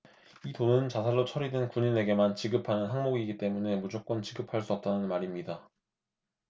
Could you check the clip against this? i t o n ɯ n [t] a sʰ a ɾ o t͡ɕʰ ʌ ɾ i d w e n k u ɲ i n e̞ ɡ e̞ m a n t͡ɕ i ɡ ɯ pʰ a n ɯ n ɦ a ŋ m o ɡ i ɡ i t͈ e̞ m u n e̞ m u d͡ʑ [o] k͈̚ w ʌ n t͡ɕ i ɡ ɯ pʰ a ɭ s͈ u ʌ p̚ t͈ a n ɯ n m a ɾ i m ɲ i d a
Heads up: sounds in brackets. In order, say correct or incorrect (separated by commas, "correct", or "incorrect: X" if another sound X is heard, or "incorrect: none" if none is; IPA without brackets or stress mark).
incorrect: t͡ɕ, correct